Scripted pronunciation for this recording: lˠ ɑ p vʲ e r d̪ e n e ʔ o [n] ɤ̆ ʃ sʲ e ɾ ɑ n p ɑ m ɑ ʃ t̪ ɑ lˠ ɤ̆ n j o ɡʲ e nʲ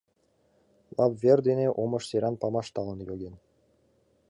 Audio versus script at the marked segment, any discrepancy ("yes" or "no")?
yes